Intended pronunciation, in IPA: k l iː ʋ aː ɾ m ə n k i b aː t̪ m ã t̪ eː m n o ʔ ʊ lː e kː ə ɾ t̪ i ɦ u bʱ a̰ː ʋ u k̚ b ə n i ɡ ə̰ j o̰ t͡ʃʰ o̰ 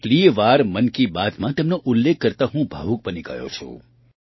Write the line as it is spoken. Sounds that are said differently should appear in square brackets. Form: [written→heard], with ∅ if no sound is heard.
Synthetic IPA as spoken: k l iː ʋ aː ɾ m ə n k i b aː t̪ m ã t̪ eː m n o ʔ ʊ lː e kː ə ɾ t̪ [i→a] ɦ [u→ũ] bʱ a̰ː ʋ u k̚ b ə n i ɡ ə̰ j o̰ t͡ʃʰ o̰